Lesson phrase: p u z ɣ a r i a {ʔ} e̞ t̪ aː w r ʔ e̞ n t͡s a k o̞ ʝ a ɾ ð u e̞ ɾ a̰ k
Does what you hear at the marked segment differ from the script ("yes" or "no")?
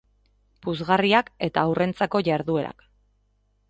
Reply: yes